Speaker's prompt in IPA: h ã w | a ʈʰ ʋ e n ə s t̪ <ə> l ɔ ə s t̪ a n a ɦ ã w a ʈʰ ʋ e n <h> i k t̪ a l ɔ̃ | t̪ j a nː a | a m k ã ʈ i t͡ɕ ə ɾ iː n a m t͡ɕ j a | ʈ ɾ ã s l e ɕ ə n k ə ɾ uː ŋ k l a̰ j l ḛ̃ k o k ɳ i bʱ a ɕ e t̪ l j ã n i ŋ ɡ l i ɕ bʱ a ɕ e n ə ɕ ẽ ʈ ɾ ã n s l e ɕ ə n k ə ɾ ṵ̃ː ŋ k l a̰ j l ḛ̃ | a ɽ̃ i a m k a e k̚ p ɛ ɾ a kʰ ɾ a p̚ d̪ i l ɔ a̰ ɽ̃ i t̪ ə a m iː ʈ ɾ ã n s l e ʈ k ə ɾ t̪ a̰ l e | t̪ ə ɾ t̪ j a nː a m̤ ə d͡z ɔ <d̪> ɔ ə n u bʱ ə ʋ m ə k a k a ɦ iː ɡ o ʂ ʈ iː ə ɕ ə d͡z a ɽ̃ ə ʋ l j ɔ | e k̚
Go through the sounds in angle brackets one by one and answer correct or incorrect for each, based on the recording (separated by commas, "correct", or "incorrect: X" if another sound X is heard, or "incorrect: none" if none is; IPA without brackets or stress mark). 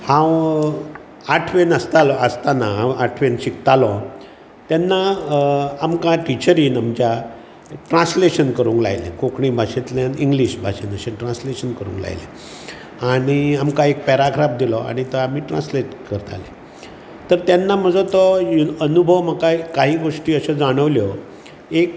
incorrect: a, incorrect: ɕ, incorrect: t̪